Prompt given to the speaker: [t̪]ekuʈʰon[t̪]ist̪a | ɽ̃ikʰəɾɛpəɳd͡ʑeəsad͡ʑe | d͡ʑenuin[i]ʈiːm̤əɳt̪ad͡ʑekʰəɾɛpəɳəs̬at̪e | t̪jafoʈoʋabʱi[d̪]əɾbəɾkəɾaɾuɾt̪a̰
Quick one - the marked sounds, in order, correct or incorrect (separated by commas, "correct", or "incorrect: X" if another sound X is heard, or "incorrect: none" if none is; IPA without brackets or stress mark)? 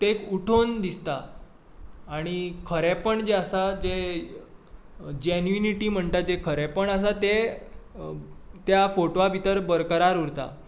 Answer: correct, incorrect: d̪, correct, incorrect: t̪